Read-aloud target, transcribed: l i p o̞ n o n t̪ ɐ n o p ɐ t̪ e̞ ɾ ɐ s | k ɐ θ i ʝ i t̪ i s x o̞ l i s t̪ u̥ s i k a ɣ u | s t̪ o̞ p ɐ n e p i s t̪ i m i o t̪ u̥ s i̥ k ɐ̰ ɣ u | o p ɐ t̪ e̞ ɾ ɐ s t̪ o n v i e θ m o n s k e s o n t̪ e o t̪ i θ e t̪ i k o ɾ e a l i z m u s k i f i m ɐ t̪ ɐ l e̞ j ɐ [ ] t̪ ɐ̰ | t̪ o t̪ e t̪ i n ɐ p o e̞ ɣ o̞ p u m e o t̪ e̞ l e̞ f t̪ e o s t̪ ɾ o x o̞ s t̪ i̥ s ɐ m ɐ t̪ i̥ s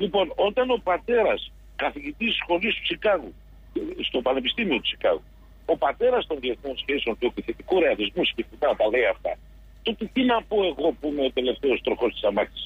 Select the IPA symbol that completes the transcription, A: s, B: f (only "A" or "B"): B